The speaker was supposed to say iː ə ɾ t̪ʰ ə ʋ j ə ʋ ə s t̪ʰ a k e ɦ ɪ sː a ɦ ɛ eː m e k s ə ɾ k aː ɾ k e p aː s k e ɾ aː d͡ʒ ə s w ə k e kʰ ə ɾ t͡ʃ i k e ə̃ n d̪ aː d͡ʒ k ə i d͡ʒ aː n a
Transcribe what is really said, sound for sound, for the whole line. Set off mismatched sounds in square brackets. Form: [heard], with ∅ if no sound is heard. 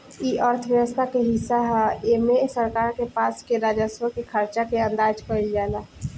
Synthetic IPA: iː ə ɾ t̪ʰ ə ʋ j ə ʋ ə s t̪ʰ a k e ɦ ɪ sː a ɦ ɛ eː m e [∅] s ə ɾ k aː ɾ k e p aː s k e ɾ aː d͡ʒ ə s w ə k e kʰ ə ɾ t͡ʃ [a] k e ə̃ n d̪ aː d͡ʒ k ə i d͡ʒ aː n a